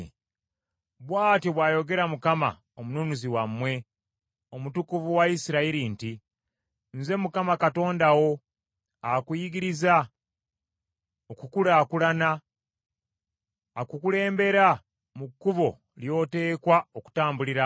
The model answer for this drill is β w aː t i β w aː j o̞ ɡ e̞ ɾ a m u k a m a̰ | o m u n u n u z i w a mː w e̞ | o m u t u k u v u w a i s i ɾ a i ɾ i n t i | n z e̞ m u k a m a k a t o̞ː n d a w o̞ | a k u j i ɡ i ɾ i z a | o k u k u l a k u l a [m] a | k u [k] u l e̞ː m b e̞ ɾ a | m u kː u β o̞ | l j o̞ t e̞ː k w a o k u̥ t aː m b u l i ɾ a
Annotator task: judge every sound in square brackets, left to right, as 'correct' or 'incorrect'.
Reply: incorrect: n, correct

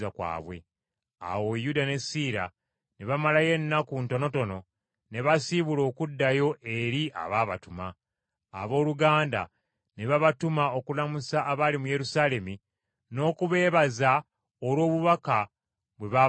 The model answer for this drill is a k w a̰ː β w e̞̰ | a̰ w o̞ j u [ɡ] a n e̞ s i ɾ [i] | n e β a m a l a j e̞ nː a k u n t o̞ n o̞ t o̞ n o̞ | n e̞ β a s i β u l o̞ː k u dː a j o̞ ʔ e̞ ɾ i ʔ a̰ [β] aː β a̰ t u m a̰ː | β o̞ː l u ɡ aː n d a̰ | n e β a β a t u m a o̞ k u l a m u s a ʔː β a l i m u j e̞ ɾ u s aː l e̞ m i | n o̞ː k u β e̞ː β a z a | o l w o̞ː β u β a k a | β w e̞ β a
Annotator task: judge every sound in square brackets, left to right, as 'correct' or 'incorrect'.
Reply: incorrect: d, incorrect: a, correct

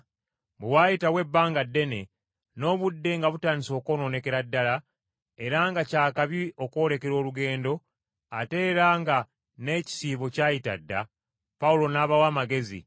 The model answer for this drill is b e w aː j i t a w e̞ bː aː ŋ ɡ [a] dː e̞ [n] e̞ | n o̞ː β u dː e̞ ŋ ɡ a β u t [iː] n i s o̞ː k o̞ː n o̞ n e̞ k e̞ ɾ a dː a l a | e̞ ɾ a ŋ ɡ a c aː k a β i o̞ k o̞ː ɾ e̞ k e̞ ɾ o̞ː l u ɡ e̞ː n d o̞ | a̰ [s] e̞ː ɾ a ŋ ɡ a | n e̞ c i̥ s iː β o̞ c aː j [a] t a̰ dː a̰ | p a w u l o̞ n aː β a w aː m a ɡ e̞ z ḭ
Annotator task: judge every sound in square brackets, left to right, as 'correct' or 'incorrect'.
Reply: correct, correct, incorrect: aː, incorrect: t, incorrect: i

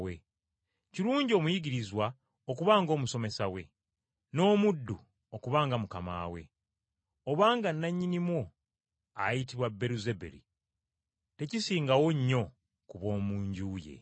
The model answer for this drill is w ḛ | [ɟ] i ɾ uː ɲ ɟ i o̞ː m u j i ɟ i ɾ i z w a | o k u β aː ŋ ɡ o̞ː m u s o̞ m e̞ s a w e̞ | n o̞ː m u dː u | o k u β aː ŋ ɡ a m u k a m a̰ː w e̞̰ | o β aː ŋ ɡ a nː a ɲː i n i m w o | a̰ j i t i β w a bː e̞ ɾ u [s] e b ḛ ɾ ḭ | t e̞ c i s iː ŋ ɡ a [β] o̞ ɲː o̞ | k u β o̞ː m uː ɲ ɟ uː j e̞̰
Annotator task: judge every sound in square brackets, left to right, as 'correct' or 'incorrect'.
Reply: incorrect: c, incorrect: z, incorrect: w

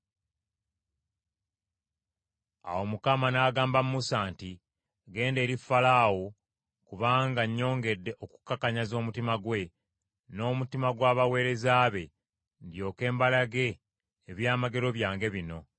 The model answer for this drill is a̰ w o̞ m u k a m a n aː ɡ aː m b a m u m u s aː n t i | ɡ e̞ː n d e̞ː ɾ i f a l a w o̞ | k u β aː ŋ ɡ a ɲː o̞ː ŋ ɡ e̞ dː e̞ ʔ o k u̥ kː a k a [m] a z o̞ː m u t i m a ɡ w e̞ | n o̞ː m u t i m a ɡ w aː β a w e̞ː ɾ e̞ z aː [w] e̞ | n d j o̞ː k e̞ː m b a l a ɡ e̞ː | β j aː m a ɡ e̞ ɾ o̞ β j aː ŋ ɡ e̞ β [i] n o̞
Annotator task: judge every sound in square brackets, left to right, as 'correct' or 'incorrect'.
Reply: incorrect: ɲ, incorrect: β, correct

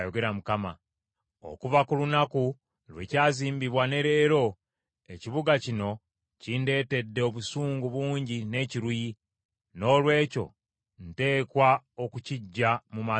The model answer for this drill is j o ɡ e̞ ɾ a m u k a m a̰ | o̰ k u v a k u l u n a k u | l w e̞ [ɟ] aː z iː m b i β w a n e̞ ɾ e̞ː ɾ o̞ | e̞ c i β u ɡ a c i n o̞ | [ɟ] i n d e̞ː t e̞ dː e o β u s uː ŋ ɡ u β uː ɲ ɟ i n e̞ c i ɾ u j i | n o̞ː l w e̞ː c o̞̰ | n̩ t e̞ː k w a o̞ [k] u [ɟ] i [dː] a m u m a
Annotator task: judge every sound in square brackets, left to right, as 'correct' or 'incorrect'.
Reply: incorrect: c, incorrect: c, correct, incorrect: c, incorrect: ɟː

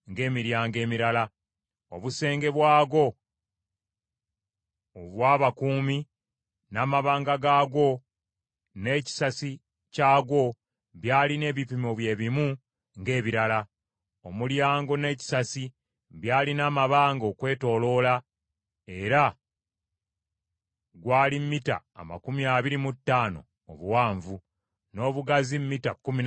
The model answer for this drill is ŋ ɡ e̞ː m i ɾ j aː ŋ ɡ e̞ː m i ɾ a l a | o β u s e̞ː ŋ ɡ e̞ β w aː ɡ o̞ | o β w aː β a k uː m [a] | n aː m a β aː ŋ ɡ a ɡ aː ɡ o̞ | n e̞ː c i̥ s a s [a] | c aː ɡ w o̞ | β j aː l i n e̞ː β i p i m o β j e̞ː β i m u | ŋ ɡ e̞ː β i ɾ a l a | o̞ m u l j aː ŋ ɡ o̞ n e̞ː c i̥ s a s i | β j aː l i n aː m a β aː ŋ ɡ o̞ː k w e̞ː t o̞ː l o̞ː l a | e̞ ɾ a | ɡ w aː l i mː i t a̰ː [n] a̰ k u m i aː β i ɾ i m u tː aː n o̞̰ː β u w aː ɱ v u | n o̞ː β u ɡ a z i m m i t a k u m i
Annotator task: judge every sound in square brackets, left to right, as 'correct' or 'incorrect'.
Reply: incorrect: i, incorrect: i, incorrect: m

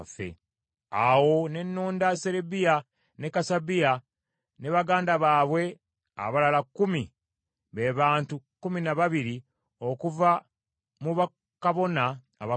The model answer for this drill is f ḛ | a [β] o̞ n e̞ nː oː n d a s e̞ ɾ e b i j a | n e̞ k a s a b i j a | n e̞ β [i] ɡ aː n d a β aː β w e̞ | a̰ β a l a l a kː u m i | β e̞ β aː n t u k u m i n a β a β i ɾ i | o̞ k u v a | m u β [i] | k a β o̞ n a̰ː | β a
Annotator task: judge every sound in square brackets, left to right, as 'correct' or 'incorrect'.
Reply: incorrect: w, incorrect: a, incorrect: a

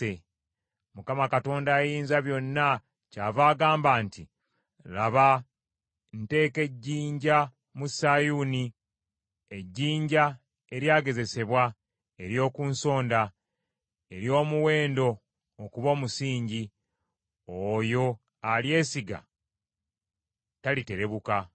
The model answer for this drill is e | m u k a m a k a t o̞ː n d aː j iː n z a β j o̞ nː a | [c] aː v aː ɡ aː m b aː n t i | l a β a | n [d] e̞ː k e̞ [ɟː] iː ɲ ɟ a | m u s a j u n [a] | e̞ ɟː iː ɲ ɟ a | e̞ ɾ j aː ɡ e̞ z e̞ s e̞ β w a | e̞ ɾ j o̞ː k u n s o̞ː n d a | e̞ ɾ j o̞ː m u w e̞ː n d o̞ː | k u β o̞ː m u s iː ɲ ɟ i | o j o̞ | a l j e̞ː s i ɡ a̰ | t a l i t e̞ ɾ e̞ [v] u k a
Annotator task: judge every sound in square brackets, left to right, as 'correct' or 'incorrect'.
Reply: correct, incorrect: t, correct, incorrect: i, incorrect: β

